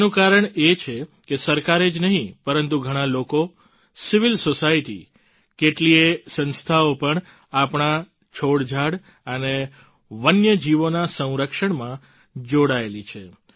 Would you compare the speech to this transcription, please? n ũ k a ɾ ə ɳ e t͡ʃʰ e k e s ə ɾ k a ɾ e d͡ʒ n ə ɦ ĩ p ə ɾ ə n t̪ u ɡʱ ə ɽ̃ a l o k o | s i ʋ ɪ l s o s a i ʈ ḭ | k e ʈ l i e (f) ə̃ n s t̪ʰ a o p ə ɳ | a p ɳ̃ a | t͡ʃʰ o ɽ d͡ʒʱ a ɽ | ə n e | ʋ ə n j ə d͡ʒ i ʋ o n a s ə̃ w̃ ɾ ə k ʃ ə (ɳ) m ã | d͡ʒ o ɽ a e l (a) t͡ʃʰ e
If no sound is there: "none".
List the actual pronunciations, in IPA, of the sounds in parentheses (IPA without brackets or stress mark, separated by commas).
s, ɳ, i